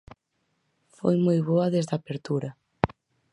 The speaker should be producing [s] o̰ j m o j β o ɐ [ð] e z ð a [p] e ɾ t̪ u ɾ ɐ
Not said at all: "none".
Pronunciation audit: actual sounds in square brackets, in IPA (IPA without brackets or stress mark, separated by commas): f, ð, p